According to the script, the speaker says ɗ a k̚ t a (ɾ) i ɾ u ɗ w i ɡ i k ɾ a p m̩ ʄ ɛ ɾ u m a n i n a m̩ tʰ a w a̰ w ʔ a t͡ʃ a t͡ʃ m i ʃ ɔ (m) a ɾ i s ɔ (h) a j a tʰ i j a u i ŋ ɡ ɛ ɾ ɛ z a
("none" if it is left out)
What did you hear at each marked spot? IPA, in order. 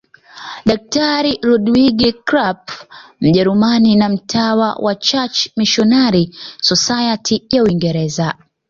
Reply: ɾ, n, s

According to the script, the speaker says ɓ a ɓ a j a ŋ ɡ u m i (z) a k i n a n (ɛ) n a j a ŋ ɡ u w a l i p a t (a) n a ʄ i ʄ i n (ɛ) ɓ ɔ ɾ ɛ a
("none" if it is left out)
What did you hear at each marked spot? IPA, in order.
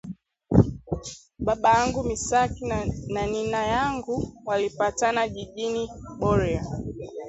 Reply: s, i, a, i

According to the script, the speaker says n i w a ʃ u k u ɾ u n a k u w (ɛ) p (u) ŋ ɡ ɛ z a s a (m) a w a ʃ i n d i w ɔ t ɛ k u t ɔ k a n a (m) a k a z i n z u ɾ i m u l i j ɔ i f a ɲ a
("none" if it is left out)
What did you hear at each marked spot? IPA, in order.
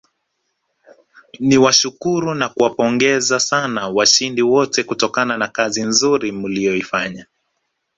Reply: a, ɔ, n, n

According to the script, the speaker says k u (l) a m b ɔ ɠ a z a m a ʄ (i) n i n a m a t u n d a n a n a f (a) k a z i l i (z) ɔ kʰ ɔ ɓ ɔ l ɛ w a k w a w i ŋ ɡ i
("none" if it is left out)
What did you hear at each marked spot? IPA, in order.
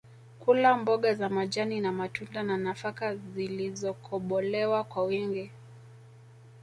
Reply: l, a, a, z

